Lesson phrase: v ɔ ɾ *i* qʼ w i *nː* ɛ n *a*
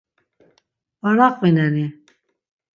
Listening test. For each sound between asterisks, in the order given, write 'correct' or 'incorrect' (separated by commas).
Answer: incorrect, incorrect, incorrect